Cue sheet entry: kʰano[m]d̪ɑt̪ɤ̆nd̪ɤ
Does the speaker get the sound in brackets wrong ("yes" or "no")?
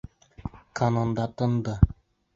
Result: yes